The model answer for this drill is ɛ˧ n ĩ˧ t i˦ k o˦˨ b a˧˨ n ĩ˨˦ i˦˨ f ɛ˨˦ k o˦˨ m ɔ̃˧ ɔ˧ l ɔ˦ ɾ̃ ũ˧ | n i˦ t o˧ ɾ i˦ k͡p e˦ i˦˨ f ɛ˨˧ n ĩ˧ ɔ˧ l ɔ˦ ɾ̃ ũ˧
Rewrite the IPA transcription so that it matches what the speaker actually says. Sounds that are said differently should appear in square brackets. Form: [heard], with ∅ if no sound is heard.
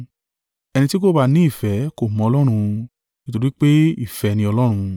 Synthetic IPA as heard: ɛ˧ n ĩ˧ t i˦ k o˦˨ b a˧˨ n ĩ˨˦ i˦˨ f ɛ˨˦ k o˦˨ m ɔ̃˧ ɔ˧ l ɔ˦ ɾ̃ ũ˧ | n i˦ t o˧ ɾ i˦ k͡p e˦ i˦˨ f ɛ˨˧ n ĩ˧ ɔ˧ l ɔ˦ ɾ̃ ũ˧

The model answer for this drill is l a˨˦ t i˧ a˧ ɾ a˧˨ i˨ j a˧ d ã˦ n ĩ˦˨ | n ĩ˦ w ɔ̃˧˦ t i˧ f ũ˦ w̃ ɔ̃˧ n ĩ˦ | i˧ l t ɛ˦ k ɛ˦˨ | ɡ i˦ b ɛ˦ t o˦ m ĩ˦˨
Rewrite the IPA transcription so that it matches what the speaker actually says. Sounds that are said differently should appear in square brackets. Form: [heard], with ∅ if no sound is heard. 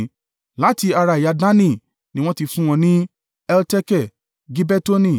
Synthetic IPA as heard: l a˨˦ t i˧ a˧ ɾ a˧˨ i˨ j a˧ d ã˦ n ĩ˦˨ | n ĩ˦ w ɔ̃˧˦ t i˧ f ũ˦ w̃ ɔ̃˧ n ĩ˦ | [ɛ˧] l t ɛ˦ k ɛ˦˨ | ɡ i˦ b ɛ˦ t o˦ [n] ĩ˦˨

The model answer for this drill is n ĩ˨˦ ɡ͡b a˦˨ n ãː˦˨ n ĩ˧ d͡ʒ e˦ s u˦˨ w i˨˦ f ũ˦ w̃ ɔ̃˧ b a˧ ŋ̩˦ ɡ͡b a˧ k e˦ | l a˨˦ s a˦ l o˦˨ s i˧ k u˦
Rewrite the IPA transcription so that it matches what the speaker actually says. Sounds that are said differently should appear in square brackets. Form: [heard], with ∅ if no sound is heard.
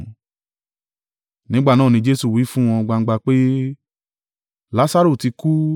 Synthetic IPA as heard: n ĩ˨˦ ɡ͡b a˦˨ n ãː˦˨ n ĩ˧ d͡ʒ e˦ s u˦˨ w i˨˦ f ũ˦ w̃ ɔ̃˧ [ɡ͡b] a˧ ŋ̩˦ ɡ͡b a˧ [k͡p] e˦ | l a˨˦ s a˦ [ɾ] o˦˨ [t] i˧ k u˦

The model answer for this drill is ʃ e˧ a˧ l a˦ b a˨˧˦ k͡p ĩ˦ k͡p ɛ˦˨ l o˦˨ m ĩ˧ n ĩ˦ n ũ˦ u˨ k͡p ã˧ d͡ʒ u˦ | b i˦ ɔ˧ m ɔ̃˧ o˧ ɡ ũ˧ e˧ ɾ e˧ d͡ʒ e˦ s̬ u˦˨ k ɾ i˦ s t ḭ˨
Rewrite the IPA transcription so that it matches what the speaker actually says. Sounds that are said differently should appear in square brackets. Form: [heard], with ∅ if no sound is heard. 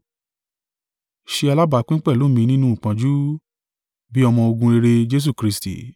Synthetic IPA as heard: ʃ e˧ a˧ l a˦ b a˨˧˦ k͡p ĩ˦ k͡p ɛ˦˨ l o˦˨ m ĩ˧ n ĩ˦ n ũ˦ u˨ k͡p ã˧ d͡ʒ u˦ | b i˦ ɔ˧ m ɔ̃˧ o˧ ɡ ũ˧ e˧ ɾ e˧ d͡ʒ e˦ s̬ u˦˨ k ɾ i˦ s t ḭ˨

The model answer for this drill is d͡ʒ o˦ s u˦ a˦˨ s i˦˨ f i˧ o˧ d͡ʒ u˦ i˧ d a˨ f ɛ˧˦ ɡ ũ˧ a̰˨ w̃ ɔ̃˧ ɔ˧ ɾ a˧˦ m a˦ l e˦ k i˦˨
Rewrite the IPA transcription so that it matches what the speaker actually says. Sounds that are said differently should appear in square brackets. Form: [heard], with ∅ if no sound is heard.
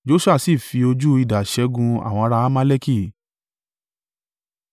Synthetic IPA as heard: d͡ʒ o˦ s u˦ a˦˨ s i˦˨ f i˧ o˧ d͡ʒ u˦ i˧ d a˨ [ʃ] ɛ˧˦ ɡ ũ˧ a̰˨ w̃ ɔ̃˧ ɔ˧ ɾ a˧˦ m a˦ l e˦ k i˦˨

